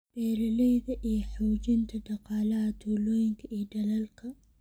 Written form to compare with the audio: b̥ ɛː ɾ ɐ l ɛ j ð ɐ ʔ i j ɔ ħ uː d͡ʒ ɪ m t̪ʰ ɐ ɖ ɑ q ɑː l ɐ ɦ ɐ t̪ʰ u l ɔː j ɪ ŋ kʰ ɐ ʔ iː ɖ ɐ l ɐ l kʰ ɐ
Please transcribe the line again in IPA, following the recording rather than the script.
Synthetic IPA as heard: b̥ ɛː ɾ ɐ l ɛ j ð ɐ ʔ i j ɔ ħ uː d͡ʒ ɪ n t̪ʰ ɐ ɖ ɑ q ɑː l ɐ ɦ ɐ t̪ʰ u l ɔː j ɪ ŋ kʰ ɐ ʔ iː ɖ ɐ l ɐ l kʰ ɐ